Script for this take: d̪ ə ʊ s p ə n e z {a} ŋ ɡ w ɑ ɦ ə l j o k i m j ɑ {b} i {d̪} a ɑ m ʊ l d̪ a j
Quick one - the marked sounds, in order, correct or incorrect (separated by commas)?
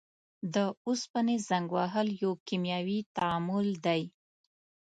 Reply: correct, incorrect, incorrect